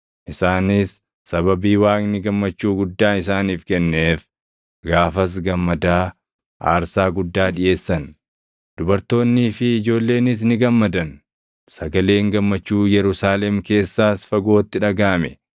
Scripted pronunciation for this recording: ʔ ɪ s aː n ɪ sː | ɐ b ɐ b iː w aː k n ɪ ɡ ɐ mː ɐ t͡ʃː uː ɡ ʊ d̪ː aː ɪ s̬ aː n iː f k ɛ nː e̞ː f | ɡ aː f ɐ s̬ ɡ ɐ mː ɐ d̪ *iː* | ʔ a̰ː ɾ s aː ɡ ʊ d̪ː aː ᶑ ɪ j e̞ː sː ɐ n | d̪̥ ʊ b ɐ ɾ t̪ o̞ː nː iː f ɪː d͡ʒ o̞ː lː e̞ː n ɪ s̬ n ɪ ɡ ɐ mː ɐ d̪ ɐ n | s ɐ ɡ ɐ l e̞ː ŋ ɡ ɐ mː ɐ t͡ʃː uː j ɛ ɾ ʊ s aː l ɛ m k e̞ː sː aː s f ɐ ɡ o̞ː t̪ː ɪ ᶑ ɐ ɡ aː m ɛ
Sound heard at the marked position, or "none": aː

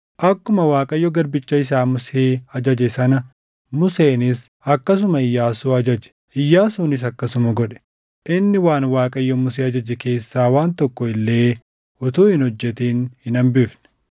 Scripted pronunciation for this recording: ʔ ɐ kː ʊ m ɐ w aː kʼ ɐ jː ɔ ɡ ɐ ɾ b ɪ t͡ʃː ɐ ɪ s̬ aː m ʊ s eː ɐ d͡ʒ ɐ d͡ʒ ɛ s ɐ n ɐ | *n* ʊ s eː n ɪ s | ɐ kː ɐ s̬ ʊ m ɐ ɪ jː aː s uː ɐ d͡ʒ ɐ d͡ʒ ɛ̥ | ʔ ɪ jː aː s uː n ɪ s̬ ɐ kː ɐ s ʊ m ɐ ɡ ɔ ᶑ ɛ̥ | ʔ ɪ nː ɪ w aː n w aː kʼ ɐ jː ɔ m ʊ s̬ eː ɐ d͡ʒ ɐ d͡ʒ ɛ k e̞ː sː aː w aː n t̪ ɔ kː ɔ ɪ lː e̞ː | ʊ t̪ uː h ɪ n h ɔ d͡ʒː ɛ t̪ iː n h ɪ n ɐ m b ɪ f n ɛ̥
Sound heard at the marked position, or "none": m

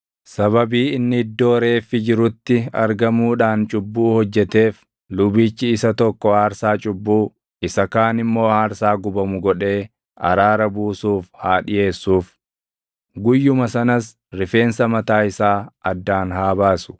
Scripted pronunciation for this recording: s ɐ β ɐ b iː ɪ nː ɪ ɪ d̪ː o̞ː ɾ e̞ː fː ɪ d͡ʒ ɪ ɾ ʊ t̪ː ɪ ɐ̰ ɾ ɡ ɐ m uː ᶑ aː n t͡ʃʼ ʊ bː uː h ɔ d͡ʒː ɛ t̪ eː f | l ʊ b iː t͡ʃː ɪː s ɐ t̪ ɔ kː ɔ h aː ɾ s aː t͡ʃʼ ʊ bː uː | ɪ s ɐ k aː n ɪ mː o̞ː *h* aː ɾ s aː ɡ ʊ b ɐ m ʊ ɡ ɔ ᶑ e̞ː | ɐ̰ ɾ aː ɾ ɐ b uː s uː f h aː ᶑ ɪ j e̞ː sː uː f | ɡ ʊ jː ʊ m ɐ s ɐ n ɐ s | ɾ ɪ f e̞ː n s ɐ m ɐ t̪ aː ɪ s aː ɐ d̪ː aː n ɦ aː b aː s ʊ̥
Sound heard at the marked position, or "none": h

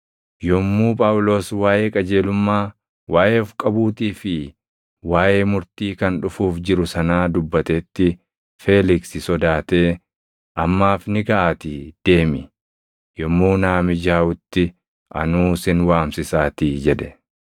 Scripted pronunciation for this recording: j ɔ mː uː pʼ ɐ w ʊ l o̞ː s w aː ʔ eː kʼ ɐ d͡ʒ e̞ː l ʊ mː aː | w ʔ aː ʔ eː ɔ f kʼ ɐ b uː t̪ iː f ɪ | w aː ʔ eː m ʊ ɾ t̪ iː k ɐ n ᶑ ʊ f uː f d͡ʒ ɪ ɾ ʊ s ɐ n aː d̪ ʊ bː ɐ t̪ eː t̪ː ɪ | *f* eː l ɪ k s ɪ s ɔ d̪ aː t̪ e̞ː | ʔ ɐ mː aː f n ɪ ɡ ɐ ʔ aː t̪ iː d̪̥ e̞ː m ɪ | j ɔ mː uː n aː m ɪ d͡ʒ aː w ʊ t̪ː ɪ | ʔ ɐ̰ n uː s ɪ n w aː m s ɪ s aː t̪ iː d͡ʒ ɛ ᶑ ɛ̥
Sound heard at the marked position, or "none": f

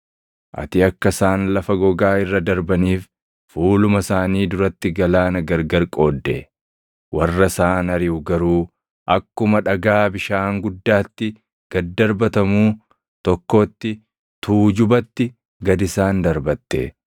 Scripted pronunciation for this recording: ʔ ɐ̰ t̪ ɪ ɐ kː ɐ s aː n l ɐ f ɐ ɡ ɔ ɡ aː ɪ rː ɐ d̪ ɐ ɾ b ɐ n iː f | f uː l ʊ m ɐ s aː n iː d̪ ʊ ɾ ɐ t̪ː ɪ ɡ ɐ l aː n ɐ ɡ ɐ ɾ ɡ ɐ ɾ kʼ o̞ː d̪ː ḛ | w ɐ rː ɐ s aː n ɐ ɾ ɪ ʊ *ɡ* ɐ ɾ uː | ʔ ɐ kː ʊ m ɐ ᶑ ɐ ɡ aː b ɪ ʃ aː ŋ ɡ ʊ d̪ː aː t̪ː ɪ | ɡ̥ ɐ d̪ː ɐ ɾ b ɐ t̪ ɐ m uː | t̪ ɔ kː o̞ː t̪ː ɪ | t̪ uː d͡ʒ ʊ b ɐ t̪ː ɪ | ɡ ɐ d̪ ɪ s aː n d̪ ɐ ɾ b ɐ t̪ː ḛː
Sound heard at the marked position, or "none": ɡ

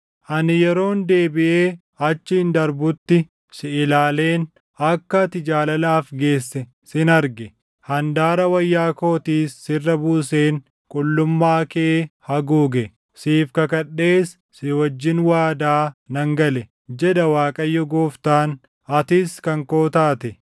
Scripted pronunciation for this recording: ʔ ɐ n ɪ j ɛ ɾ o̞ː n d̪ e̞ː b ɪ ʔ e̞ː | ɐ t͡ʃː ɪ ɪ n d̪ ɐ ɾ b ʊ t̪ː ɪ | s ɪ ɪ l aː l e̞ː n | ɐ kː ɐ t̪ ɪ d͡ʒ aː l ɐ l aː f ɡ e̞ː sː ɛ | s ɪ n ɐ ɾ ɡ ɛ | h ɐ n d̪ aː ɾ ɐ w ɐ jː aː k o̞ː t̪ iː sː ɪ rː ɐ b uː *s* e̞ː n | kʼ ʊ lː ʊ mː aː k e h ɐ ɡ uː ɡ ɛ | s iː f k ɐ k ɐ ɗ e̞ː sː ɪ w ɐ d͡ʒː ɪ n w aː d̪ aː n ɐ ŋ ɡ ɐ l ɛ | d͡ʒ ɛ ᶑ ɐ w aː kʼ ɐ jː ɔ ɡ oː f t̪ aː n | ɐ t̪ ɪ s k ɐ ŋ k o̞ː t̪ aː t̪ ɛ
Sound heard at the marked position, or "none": s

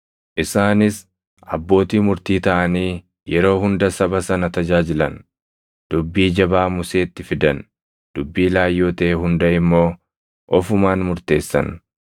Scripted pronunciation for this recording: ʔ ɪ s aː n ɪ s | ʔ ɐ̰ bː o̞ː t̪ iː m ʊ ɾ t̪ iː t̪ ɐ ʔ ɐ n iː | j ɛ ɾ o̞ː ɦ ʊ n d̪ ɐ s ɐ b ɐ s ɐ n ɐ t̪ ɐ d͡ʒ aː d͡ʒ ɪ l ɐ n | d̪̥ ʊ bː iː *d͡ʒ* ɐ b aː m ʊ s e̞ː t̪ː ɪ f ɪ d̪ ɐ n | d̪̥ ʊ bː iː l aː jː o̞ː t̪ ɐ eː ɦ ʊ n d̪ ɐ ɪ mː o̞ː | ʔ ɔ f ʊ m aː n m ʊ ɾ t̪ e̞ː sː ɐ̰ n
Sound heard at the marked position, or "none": d͡ʒ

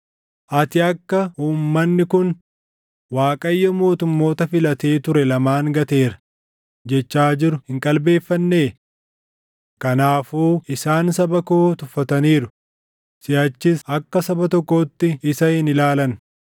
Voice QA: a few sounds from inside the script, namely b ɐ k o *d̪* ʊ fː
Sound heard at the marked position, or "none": t̪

